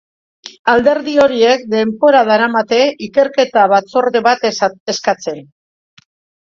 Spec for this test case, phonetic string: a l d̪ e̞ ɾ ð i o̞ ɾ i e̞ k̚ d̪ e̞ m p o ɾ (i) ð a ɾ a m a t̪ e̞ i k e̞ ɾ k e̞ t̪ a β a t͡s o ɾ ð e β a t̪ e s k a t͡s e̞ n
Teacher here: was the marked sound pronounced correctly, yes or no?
no